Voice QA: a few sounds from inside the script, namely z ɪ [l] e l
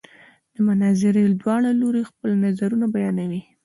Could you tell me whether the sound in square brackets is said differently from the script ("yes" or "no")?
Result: yes